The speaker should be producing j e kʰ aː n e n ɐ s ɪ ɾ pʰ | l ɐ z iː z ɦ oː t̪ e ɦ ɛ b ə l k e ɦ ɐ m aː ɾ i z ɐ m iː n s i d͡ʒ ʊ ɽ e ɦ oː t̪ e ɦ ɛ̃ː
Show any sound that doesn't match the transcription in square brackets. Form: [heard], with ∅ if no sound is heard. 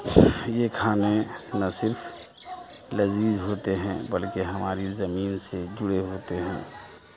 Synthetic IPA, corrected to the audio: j e kʰ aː n e n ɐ s ɪ ɾ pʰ | l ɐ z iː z ɦ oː t̪ e ɦ [ɛ̃] b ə l k e ɦ ɐ m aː ɾ i z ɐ m iː n s [e] d͡ʒ ʊ ɽ e ɦ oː t̪ e ɦ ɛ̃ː